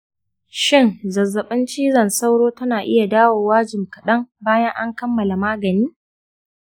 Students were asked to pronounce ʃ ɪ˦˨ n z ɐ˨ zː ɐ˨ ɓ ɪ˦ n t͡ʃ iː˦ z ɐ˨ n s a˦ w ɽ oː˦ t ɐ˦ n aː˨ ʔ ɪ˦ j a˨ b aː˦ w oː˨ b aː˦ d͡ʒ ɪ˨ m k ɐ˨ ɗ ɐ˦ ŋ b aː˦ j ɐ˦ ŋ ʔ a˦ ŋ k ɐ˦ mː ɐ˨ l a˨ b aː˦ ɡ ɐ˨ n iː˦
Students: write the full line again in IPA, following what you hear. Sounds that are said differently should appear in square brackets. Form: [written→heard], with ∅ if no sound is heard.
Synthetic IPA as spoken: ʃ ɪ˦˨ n z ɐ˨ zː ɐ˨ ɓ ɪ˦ n t͡ʃ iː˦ z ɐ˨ n s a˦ w ɽ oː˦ t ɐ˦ n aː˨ ʔ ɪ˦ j a˨ [b→d] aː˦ w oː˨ [b→w] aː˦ d͡ʒ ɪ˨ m k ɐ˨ ɗ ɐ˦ ŋ b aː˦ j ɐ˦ ŋ ʔ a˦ ŋ k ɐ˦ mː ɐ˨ l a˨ [b→m] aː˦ ɡ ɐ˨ n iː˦